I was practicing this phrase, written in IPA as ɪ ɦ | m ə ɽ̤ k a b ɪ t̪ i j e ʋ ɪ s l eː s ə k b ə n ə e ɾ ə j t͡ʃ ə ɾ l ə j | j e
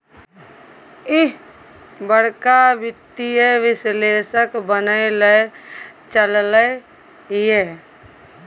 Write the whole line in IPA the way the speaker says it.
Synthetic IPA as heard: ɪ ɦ | b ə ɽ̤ k a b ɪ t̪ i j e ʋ ɪ s l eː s ə k b ə n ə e l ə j t͡ʃ ə l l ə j | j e